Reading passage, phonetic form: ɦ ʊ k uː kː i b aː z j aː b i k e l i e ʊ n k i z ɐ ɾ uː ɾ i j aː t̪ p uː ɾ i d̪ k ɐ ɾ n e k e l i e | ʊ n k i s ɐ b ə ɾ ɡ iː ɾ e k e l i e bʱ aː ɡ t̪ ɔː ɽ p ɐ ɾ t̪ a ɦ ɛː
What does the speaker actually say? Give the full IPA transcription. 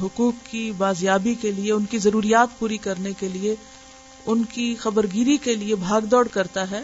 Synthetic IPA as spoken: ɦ ʊ k uː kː i b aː z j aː b i k e l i e ʊ n k i z ɐ ɾ uː ɾ i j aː t̪ p uː ɾ i k ɐ ɾ n e k e l i e | ʊ n k i x ɐ b ə ɾ ɡ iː ɾ i k e l i e bʱ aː ɡ d̪ ɔː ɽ k ɐ ɾ t̪ a ɦ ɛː